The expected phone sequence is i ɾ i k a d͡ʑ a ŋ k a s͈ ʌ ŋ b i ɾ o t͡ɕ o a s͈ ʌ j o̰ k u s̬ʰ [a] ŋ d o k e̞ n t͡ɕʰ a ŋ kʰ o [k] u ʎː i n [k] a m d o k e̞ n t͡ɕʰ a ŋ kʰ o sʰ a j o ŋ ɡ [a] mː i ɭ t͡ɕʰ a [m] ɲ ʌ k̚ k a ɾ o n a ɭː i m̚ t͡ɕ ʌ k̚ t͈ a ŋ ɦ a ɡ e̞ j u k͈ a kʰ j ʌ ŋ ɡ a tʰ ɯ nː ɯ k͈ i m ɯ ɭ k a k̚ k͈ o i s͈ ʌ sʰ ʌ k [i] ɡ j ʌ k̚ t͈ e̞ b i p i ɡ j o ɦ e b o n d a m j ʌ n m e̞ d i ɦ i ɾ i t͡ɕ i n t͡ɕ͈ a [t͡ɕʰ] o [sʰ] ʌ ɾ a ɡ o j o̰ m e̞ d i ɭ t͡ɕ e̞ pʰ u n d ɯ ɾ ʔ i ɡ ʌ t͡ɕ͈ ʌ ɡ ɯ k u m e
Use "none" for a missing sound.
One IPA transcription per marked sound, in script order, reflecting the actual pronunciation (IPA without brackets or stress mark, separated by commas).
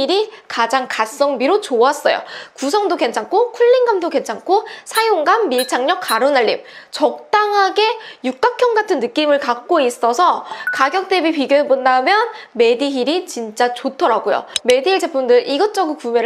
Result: ʌ, kʰ, ɡ, a, ŋ, a, t͡ɕ, tʰ